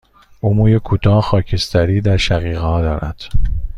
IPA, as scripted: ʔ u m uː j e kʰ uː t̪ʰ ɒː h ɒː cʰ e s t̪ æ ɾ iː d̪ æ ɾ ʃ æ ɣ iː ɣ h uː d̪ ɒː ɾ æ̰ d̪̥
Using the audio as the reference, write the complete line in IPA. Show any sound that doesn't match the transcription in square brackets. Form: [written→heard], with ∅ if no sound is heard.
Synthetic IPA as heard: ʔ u m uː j e kʰ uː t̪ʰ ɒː [h→x] ɒː cʰ e s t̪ æ ɾ iː d̪ æ ɾ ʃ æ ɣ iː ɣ h [uː→ɒː] d̪ ɒː ɾ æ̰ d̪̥